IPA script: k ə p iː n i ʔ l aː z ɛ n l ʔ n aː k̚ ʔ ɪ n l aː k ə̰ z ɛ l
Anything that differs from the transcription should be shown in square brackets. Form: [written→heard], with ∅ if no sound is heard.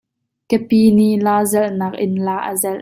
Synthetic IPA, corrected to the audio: k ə p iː n i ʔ l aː z ɛ [n→∅] l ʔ n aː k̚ ʔ ɪ n l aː [k→ʔ] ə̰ z ɛ l